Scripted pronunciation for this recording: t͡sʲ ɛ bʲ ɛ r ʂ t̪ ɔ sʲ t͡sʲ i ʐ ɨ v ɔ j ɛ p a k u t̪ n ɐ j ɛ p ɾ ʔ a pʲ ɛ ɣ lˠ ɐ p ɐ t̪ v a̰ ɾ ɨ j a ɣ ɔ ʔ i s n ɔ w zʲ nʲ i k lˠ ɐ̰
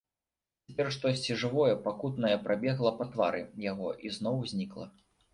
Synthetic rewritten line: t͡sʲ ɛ pʲ ɛ r ʂ t̪ ɔ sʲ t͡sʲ i ʐ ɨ v ɔ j ɛ p a k u t̪ n ɐ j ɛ p ɾ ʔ a bʲ ɛ ɣ lˠ ɐ p ɐ t̪ v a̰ ɾ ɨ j a ɣ ɔ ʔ i z n ɔ w zʲ nʲ i k lˠ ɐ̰